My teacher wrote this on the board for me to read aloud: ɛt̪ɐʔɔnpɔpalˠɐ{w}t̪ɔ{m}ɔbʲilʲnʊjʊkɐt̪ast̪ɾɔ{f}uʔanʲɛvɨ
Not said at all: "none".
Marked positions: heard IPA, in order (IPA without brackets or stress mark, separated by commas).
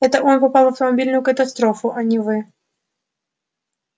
w, m, f